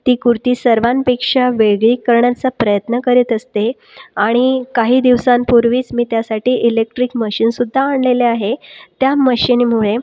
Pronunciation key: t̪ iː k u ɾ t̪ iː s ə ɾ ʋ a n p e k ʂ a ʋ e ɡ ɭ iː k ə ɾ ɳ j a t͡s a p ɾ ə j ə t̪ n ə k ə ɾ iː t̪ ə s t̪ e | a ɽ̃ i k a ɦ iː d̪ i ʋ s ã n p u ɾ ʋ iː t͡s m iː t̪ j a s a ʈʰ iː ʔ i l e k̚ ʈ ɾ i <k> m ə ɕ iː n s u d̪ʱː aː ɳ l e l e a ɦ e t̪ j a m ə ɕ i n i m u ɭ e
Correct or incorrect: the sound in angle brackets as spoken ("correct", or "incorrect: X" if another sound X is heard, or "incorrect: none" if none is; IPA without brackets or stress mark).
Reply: correct